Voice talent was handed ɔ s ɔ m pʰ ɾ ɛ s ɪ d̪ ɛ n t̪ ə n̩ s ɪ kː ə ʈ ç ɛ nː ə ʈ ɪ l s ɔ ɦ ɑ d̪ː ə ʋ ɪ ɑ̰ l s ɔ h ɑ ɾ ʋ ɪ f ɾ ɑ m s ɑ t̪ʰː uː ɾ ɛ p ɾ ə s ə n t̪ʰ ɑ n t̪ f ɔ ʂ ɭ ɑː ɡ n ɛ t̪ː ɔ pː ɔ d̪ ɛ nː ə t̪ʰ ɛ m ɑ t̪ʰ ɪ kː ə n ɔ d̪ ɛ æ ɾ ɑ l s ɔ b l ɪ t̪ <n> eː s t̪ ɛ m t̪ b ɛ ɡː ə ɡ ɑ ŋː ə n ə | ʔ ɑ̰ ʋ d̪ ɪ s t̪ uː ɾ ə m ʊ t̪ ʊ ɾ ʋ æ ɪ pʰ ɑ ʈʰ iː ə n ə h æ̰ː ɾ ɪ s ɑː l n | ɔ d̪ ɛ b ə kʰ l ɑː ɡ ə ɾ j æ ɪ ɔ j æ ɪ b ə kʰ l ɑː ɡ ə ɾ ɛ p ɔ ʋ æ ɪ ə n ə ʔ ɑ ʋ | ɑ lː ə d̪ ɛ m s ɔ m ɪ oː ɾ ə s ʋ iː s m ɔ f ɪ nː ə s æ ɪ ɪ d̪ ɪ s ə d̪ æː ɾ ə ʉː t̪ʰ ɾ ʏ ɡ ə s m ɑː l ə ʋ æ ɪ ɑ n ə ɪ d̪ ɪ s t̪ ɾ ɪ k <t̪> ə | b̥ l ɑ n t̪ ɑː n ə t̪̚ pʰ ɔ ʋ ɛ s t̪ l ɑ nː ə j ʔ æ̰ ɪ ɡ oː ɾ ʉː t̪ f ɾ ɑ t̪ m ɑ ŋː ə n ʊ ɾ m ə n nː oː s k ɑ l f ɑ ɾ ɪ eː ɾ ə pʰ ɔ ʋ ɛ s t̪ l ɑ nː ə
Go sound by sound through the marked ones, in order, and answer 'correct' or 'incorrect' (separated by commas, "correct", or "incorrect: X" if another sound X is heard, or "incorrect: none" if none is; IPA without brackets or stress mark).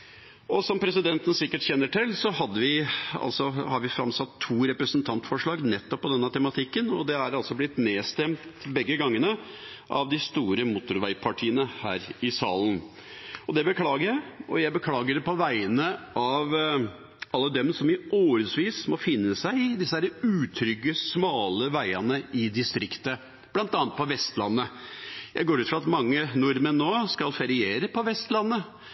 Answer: correct, correct